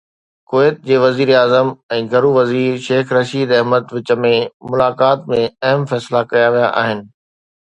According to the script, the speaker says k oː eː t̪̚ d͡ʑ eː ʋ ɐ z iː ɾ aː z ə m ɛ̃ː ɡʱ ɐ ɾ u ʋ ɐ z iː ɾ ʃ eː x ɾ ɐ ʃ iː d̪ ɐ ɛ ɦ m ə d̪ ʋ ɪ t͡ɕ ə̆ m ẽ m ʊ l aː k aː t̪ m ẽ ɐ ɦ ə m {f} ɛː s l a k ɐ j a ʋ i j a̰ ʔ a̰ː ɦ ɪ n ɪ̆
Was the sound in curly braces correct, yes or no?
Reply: yes